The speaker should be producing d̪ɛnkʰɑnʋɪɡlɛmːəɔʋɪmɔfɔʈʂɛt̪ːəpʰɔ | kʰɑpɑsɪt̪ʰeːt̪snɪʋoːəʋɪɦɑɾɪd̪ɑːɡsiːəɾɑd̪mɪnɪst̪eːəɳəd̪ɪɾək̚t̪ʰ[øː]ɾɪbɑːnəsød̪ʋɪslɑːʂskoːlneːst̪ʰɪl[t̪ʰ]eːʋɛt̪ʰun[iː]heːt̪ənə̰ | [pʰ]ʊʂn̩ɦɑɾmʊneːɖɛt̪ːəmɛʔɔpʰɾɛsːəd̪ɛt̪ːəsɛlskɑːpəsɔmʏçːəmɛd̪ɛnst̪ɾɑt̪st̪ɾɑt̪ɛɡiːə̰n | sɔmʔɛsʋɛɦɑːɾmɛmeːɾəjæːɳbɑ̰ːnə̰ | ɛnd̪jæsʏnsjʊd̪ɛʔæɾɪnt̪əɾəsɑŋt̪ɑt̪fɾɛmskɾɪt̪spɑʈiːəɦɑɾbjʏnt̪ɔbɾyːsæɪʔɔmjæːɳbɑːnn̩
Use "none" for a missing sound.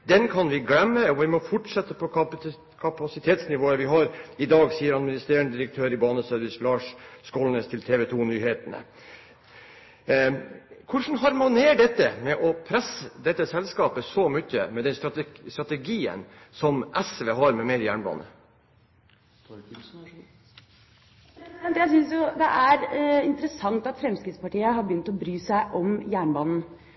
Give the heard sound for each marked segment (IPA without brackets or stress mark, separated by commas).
øː, t̪ʰ, yː, kʰ